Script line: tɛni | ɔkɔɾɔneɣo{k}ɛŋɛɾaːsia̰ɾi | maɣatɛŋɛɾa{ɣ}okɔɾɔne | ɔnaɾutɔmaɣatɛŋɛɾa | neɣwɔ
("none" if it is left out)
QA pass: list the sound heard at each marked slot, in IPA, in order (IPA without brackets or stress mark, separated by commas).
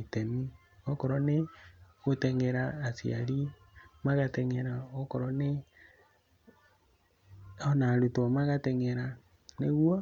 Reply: t, none